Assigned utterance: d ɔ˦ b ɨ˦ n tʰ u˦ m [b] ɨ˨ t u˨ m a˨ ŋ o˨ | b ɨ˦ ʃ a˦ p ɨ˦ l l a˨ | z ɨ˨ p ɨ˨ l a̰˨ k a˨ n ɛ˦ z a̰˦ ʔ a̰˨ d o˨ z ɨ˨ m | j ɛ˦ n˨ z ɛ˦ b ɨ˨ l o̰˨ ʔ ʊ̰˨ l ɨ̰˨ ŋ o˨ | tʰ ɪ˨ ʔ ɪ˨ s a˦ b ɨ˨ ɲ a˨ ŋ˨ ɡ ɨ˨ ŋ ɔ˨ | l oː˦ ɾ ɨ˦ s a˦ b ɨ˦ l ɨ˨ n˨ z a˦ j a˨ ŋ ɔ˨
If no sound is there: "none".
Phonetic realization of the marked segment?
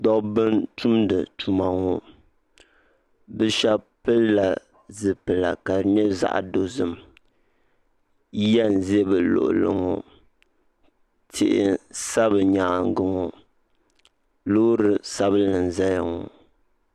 d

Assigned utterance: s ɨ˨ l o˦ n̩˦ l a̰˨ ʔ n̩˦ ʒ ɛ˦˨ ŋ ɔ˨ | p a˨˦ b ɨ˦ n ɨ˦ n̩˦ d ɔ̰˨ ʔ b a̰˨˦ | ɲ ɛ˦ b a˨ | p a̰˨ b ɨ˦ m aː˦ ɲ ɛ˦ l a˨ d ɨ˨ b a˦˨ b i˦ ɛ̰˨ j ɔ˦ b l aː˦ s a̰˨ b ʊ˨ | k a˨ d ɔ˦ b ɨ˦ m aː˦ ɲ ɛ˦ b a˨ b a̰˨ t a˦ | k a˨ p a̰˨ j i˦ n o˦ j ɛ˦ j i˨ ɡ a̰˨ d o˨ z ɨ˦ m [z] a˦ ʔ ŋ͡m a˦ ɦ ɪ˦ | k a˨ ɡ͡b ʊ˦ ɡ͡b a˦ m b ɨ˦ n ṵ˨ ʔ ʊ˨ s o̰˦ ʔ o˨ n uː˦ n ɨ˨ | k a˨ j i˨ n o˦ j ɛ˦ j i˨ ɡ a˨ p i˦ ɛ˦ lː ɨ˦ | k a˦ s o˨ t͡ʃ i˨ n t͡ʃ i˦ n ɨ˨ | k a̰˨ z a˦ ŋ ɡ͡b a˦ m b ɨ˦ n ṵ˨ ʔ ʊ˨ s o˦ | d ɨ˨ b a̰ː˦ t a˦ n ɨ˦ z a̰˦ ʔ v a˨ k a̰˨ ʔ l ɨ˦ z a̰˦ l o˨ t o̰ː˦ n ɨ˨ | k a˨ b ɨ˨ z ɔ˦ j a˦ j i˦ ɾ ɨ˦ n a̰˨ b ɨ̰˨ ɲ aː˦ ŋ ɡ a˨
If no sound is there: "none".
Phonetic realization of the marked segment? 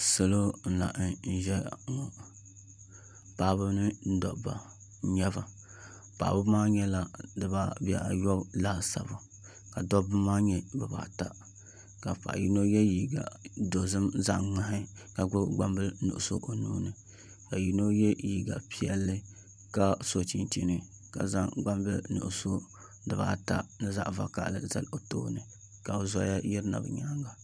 z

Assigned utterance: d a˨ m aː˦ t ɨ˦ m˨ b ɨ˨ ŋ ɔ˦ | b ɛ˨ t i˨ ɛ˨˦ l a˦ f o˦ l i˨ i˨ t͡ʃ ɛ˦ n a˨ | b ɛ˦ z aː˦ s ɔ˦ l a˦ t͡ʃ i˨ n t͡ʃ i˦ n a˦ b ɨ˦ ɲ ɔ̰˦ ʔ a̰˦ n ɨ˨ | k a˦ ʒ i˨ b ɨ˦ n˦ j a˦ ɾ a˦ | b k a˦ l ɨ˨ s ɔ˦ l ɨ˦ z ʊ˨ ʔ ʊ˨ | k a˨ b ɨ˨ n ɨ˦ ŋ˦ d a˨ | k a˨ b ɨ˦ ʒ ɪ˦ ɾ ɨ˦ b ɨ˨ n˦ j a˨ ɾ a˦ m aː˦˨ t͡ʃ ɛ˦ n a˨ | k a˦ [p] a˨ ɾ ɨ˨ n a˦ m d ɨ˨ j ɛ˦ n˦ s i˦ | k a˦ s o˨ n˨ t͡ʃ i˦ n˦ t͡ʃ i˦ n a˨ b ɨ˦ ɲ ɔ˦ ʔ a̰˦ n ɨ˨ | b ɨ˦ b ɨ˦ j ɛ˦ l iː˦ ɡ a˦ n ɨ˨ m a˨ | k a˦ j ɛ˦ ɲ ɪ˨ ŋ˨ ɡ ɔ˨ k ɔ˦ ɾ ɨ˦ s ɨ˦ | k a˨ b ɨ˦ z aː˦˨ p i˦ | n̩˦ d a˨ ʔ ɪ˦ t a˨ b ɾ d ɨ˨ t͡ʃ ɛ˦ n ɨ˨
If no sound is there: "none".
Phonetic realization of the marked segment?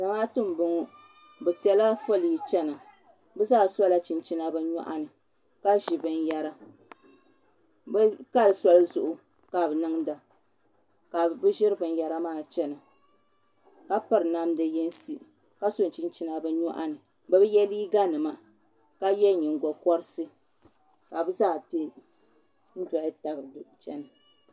p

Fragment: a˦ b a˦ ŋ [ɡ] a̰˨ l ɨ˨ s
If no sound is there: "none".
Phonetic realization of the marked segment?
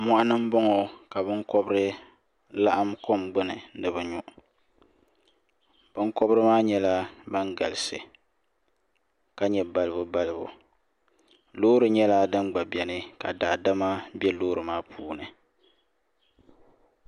ɡ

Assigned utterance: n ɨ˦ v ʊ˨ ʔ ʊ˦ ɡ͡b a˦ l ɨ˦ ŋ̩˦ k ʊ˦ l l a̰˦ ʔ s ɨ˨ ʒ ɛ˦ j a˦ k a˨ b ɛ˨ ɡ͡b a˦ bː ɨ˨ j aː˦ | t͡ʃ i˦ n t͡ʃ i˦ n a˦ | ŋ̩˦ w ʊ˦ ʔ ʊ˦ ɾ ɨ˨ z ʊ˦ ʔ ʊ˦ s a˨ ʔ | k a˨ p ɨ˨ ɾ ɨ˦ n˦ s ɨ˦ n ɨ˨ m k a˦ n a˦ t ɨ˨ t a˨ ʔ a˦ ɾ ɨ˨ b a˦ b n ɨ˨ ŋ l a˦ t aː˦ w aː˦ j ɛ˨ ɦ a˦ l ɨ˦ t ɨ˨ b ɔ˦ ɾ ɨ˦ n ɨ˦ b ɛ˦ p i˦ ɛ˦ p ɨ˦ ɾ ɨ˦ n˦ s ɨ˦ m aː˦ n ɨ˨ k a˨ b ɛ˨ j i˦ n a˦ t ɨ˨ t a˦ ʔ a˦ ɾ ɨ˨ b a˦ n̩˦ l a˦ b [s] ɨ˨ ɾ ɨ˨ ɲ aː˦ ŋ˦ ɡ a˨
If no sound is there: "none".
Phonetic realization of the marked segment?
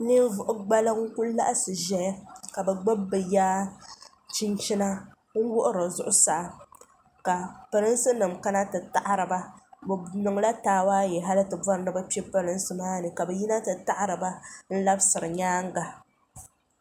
s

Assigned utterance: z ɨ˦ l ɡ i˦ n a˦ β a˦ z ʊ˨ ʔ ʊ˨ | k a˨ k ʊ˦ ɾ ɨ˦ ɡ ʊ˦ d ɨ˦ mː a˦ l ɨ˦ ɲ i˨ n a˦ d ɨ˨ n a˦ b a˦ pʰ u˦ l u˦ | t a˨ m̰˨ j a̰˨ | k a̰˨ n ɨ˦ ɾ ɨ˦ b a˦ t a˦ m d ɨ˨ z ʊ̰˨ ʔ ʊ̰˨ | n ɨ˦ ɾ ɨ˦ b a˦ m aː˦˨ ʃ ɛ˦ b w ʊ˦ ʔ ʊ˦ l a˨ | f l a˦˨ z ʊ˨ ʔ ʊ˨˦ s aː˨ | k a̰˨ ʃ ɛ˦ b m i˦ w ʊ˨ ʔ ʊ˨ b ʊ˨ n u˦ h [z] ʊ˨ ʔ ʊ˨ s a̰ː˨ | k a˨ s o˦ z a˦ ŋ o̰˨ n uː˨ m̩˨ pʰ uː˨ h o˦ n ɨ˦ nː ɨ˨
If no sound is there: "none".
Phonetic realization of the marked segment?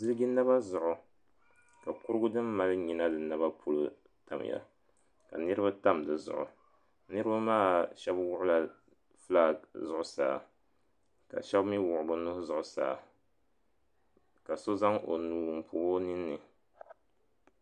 z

